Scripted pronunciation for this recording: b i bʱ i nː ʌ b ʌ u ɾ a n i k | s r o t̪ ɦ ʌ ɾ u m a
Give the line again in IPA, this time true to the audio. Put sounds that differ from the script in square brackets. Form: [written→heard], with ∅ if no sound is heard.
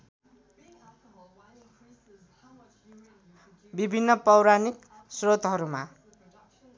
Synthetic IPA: b i bʱ i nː ʌ [b→p] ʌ [u→w] ɾ a n i k | s r o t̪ ɦ ʌ ɾ u m a